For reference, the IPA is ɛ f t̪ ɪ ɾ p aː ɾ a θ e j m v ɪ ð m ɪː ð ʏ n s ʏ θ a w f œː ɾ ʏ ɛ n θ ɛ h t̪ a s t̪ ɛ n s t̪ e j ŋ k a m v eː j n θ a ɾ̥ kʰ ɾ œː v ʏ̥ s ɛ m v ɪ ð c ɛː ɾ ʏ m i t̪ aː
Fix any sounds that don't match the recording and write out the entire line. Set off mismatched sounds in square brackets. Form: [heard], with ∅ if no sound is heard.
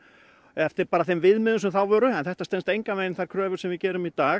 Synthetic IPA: ɛ f t̪ ɪ ɾ p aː ɾ a θ e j m v ɪ ð m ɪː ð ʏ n s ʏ θ a w [v] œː ɾ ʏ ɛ n θ ɛ h t̪ a s t̪ ɛ n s t̪ e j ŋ k a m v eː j n θ a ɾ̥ kʰ ɾ œː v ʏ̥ s ɛ m v ɪ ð c ɛː ɾ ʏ m i t̪ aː